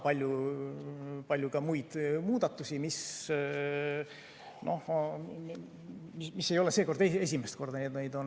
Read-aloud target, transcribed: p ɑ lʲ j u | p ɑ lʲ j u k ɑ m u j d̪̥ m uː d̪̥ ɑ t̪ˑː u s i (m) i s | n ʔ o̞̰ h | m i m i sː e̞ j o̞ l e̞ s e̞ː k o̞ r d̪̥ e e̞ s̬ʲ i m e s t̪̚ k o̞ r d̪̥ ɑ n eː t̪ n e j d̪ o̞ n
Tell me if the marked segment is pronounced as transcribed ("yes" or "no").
yes